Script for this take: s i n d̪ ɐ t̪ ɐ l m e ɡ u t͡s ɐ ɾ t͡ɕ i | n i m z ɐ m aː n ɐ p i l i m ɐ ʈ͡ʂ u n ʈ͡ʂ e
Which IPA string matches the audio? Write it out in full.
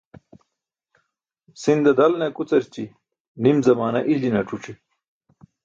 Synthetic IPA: s i n d̪ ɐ d̪ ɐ l n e k u t͡s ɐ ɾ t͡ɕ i | n i m z ɐ m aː n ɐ ʔ i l i n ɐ ʈ͡ʂ u ʈ͡ʂ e